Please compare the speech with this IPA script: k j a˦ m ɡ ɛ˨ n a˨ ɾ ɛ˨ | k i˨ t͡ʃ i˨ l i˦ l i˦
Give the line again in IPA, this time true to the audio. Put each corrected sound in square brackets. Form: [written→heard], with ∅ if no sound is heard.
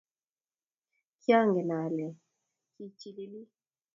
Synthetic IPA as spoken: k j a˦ [m→ŋ] ɡ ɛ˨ n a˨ [ɾ→l] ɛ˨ | k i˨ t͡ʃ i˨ l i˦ l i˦